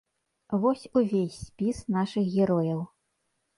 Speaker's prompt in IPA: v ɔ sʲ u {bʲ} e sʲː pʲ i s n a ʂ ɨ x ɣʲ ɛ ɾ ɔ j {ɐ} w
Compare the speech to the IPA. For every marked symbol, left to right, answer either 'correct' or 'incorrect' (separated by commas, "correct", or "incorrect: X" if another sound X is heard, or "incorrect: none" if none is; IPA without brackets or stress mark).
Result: incorrect: vʲ, correct